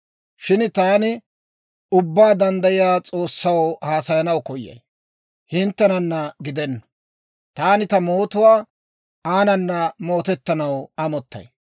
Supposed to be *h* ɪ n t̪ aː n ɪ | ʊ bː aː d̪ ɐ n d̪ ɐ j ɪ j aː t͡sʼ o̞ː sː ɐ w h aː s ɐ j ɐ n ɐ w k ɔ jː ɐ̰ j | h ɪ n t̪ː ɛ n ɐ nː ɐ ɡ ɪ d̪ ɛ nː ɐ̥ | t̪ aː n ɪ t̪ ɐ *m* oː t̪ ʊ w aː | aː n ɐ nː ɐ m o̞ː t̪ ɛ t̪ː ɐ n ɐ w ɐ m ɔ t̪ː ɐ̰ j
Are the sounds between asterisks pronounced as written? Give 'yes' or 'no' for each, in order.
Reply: no, yes

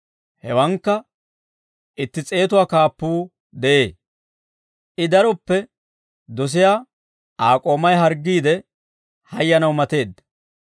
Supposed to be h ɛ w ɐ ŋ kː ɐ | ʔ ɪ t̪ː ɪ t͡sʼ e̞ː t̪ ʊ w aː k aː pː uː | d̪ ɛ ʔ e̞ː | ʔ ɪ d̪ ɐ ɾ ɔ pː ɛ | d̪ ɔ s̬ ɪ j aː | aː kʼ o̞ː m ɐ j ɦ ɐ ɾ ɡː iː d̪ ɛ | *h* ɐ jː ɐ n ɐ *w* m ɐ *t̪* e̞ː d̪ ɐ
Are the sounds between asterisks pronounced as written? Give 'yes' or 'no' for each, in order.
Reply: yes, yes, yes

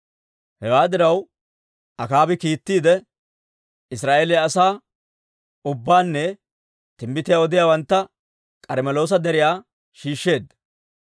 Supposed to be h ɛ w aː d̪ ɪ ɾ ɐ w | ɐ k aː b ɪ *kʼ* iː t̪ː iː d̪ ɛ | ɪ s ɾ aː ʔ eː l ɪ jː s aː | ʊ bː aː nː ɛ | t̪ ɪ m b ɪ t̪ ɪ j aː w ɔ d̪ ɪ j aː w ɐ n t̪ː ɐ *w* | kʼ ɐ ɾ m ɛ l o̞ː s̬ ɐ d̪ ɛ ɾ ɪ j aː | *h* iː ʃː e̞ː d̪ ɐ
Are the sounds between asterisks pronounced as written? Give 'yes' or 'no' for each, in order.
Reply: no, no, no

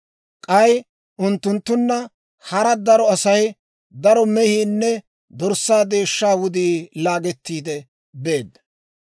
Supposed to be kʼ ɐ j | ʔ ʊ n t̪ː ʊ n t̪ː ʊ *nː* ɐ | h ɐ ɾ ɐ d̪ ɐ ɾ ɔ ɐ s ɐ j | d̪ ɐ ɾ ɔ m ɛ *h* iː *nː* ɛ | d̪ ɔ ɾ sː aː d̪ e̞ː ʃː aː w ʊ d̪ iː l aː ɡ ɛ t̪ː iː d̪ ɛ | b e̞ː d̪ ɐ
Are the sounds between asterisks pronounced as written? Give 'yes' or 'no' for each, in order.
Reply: yes, yes, yes

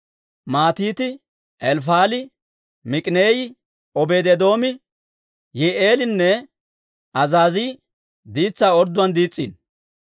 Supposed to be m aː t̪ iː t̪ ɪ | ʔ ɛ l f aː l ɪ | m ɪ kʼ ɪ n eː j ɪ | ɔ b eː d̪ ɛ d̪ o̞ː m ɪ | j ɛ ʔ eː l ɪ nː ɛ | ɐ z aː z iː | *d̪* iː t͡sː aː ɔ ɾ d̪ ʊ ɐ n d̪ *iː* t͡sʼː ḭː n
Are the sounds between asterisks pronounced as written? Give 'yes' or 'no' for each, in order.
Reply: yes, yes

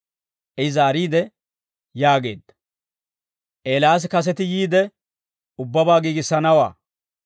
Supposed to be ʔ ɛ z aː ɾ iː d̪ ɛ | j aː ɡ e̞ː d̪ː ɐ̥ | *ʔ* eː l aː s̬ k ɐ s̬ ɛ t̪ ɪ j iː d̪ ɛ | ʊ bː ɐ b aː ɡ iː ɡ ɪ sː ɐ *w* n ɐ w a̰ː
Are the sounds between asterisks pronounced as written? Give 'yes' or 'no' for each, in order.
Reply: yes, no

